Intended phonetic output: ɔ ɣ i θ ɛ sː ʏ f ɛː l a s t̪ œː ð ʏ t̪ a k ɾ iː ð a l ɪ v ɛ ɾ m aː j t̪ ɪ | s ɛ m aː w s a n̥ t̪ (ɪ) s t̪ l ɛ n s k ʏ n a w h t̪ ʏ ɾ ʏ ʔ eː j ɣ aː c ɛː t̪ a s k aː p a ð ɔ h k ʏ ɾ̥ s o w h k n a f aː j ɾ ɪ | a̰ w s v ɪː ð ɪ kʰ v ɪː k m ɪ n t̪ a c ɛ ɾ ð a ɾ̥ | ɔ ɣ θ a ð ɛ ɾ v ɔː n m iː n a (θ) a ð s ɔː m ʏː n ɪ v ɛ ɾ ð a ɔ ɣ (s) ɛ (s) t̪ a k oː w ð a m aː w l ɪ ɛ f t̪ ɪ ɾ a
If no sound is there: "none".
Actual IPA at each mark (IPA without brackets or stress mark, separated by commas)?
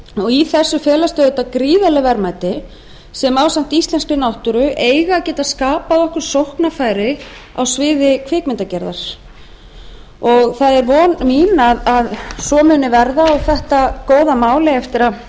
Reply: i, ð, θ, h